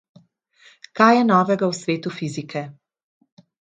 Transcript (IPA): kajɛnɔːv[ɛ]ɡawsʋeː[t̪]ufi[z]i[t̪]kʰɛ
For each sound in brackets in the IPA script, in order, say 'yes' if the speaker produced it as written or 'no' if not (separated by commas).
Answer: yes, yes, yes, no